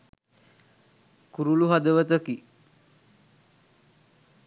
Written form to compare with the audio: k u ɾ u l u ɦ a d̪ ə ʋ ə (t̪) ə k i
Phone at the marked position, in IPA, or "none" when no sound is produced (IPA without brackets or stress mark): t̪